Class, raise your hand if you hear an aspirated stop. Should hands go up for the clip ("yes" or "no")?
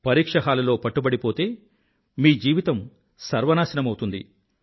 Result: no